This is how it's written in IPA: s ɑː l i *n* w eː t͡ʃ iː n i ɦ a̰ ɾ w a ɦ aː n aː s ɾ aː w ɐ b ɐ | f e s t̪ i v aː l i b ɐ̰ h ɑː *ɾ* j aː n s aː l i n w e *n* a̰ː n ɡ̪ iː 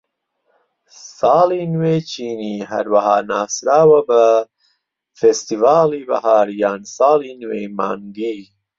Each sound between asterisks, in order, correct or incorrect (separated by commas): correct, correct, incorrect